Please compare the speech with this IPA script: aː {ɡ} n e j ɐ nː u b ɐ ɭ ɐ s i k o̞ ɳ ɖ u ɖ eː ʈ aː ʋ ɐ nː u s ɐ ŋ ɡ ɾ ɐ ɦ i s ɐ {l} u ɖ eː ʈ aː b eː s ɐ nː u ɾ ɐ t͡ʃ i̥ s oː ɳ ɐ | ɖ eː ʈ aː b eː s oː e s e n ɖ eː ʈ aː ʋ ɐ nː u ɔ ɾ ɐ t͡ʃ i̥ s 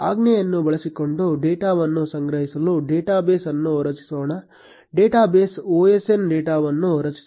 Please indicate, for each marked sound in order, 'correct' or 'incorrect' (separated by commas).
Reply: correct, correct